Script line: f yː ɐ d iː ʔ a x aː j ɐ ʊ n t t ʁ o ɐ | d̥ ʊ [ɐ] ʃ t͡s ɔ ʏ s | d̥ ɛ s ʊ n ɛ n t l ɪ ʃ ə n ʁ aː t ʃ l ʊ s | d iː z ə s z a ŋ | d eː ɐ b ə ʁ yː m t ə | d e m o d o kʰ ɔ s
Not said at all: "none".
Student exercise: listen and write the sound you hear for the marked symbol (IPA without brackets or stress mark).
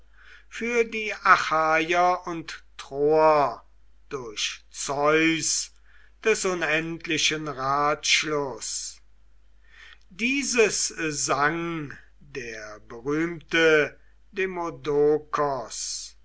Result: ɐ